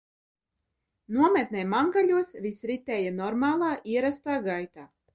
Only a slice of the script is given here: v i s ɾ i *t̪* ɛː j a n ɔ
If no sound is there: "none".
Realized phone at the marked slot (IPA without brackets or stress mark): t̪